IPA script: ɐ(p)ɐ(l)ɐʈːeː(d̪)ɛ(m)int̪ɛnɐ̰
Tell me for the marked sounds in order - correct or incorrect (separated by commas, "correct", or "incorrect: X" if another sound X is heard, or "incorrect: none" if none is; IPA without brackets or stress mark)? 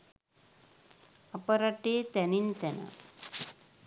correct, incorrect: ɾ, incorrect: t̪, incorrect: n